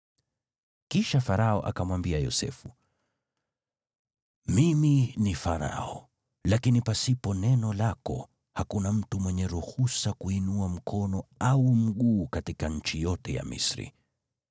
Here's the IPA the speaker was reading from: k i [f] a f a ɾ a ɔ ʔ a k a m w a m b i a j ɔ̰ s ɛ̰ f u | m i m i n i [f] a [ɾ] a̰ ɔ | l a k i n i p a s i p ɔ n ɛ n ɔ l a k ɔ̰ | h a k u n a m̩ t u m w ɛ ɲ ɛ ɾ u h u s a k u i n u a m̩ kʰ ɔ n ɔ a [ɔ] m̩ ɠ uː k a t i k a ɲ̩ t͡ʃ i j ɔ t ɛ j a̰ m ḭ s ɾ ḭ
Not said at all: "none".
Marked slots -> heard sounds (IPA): ʃ, f, ɾ, u

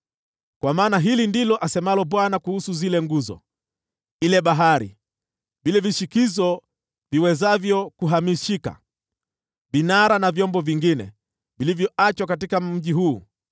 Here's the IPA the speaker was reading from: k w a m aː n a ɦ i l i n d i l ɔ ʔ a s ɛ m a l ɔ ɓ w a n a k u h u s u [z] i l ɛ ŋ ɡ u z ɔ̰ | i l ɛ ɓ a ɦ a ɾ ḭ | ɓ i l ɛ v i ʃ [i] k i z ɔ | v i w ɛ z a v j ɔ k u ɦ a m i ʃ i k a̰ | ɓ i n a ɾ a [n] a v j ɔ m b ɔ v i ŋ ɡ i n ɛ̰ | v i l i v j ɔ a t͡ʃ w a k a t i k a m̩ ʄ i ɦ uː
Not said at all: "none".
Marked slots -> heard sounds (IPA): z, i, n

